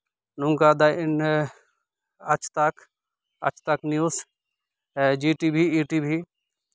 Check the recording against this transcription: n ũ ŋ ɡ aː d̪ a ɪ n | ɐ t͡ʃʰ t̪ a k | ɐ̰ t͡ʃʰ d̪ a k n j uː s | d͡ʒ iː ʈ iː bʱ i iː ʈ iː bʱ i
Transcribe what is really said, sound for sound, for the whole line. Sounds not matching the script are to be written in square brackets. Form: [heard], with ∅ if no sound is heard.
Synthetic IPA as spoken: n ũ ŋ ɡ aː d̪ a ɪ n | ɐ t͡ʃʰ t̪ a k | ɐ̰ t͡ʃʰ [t̪] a k n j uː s | d͡ʒ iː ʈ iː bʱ i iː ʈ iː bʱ i